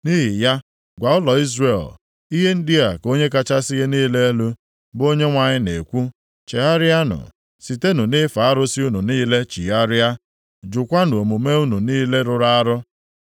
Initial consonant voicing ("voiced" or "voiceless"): voiced